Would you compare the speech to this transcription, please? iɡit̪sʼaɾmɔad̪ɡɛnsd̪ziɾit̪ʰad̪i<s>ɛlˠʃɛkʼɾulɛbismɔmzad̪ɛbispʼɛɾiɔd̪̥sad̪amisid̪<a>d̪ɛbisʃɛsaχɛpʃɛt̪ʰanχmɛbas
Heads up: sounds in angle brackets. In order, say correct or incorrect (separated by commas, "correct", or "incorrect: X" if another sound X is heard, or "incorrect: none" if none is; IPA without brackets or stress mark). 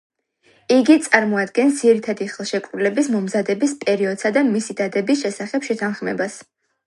incorrect: χ, correct